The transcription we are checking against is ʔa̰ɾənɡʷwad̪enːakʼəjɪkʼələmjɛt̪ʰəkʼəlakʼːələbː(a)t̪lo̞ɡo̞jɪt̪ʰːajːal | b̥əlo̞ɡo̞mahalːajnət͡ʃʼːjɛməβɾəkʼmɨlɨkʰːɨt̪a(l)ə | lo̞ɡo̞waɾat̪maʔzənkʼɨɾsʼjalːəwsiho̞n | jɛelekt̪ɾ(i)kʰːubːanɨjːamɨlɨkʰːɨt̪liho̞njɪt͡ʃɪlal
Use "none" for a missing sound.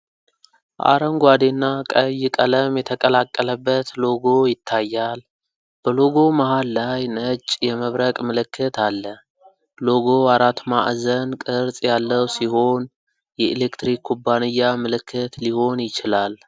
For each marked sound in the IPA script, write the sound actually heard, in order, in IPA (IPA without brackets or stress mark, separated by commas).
ə, lː, i